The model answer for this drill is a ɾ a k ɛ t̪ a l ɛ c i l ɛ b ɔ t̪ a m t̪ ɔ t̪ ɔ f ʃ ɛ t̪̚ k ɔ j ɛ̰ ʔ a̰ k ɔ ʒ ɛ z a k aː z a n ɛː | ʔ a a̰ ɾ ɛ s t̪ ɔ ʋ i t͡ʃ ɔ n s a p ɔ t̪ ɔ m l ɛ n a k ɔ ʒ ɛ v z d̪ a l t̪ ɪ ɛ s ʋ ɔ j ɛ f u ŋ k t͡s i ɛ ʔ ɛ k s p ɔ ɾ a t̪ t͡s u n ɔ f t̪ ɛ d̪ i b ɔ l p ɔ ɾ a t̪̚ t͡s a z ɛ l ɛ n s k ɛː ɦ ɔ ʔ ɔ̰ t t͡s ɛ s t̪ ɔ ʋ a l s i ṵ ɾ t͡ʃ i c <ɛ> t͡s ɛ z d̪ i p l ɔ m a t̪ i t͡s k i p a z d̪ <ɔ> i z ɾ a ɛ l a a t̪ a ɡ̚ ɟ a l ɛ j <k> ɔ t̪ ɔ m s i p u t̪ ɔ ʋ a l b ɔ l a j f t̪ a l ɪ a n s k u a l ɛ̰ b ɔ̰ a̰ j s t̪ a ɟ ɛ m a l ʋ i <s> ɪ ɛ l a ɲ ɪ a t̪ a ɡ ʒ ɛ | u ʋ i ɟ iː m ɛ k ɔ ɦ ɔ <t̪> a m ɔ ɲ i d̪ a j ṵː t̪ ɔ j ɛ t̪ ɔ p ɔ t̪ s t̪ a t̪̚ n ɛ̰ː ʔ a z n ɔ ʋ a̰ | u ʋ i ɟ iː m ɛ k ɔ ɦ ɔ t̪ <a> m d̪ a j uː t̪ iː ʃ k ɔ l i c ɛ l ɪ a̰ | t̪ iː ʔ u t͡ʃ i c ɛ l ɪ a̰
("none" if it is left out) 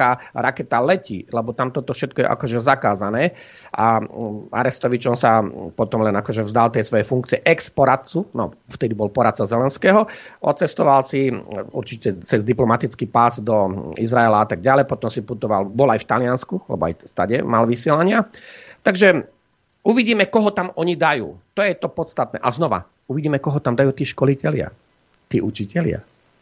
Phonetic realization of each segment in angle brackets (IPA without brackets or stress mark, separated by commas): ɛ, ɔ, p, s, t̪, a